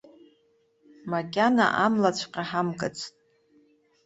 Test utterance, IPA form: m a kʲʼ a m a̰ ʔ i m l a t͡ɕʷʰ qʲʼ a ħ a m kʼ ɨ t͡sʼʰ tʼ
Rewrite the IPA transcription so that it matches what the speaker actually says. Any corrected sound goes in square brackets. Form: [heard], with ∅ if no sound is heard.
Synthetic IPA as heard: m a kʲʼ a [n] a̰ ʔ [a] m l a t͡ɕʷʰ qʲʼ a ħ a m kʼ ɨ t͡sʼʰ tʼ

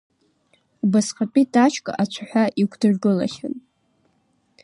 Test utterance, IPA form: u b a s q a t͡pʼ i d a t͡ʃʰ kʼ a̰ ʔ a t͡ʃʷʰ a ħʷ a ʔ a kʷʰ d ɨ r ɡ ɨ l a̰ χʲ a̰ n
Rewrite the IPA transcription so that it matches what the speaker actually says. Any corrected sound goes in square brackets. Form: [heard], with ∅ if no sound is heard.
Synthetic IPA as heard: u b a s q a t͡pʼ i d a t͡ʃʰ kʼ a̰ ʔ a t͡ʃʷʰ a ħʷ a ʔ [i] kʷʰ d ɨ r ɡ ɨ l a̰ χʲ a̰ n

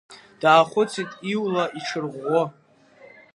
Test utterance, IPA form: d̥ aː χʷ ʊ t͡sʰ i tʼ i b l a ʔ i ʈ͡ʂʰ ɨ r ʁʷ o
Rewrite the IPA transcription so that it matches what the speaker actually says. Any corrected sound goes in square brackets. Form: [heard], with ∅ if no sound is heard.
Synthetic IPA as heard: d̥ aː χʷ ʊ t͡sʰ i tʼ i [w] l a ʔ i ʈ͡ʂʰ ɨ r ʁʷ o

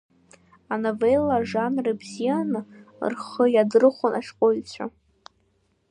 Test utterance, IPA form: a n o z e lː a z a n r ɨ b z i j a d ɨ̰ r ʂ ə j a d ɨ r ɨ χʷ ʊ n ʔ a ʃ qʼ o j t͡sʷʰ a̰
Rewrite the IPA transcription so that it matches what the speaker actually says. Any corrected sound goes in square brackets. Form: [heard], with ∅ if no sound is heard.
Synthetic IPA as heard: a n o [v] e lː a [ʐ] a n r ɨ b z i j a [n] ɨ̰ r [χ] ə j a d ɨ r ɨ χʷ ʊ n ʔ a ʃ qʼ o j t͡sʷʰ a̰

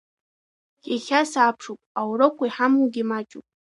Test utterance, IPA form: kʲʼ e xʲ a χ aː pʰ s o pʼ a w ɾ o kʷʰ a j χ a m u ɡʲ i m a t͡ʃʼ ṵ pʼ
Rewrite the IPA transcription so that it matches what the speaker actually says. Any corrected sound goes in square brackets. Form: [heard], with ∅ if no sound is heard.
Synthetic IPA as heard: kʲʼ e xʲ a [s] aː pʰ [ʂ] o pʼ a w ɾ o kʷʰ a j [ħ] a m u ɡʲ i m a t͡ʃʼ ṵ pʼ

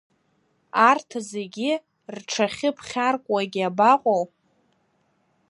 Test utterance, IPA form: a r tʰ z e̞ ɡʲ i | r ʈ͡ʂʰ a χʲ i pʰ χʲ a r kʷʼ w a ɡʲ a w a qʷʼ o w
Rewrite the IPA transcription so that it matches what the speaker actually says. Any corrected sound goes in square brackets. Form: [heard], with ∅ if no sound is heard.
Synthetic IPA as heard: a r tʰ z e̞ ɡʲ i | r ʈ͡ʂʰ a χʲ [ɪ] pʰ χʲ a r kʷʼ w a ɡʲ a [b] a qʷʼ o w

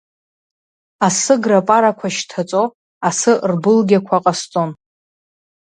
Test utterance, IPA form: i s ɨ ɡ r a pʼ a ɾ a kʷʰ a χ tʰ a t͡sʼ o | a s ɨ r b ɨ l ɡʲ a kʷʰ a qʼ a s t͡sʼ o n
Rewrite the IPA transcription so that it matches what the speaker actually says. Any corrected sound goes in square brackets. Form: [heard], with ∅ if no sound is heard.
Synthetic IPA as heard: [a] s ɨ ɡ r a pʼ a ɾ a kʷʰ a [ʃ] tʰ a t͡sʼ o | a s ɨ r b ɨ l ɡʲ a kʷʰ a qʼ a s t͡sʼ o n

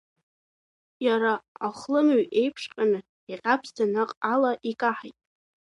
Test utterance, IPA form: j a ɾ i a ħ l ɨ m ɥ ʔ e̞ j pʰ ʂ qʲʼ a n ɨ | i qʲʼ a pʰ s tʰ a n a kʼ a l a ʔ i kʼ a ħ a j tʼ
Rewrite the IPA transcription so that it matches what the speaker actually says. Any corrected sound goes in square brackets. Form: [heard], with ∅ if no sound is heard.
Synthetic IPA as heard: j a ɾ [a] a [χ] l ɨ m ɥ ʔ e̞ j pʰ ʂ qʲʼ a n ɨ | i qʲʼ a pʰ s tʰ a n a [qʼ] a l a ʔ i kʼ a ħ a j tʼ

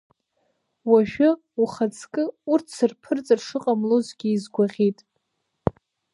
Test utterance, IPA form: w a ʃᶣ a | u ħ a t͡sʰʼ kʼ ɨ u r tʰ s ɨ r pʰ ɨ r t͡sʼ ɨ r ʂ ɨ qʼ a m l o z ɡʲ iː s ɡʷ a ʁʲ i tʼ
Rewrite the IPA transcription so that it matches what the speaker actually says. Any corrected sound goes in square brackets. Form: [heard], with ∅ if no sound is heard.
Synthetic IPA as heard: w a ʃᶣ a | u [χ] a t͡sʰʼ kʼ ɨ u r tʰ s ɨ r pʰ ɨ r t͡sʼ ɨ r ʂ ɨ qʼ a m l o z ɡʲ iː [z] ɡʷ a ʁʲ i tʼ

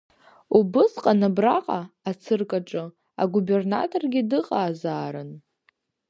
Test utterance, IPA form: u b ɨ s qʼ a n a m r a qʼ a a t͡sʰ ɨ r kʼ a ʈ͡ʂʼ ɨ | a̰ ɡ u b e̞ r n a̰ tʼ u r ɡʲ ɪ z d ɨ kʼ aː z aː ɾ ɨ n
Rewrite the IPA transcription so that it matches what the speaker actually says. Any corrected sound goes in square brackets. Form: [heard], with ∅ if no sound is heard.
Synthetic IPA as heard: u b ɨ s qʼ a n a [b] r a qʼ a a t͡sʰ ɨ r kʼ a ʈ͡ʂʼ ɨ | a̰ ɡ u b e̞ r n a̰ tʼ [o] r ɡʲ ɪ [∅] d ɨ [qʼ] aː z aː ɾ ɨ n

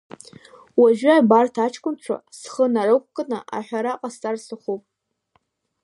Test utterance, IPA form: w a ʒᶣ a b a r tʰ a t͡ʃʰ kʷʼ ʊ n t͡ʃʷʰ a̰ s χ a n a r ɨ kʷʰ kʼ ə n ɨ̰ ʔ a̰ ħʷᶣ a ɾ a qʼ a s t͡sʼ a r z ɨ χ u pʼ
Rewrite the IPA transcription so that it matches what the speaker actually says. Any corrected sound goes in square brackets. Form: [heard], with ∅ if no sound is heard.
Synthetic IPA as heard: w a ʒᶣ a b a r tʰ a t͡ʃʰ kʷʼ ʊ n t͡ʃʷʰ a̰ s χ [ə] n a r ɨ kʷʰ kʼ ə n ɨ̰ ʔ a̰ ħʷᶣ a ɾ a qʼ a s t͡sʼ a r [s] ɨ χ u pʼ

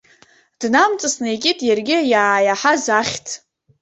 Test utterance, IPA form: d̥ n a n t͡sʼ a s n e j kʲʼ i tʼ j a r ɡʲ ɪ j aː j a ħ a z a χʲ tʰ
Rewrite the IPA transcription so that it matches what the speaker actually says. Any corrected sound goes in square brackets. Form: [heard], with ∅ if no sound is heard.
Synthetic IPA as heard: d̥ n a [m] t͡sʼ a s n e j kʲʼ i tʼ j a r ɡʲ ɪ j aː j a ħ a z a χʲ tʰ

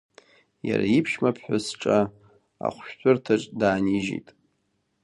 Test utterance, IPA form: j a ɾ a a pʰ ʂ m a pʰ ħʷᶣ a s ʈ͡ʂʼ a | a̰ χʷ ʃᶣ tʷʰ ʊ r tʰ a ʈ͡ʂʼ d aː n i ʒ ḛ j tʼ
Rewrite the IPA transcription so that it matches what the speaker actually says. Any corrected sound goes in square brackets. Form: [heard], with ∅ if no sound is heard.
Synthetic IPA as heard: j a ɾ a [i] pʰ [ʃ] m a pʰ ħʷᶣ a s ʈ͡ʂʼ a | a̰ χʷ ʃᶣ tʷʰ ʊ r tʰ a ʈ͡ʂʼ d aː n i ʒ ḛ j tʼ

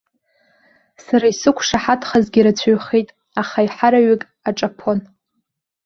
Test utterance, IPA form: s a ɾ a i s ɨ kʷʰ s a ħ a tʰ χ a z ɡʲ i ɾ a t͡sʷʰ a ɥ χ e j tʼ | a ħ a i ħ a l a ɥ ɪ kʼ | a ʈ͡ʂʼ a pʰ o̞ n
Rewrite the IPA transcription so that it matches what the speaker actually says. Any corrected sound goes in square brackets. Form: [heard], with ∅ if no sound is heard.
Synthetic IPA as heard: s a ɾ a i s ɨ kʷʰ [ʂ] a ħ a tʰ χ a z ɡʲ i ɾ a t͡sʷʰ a ɥ χ e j tʼ | a [χ] a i ħ a [ɾ] a ɥ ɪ kʼ | a ʈ͡ʂʼ a pʰ o̞ n

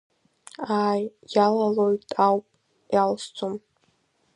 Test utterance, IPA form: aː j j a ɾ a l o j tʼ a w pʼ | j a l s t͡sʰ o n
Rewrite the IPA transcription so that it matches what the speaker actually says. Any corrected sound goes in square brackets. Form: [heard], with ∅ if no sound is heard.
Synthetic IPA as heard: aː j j a [l] a l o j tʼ a w pʼ | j a l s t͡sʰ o [m]

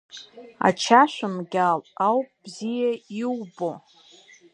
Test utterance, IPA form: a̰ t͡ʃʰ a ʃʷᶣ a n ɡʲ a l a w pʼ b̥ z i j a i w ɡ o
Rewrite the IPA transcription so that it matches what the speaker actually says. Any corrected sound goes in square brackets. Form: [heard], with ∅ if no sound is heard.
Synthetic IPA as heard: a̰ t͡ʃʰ a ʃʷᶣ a [m] ɡʲ a l a w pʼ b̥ z i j a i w [b] o

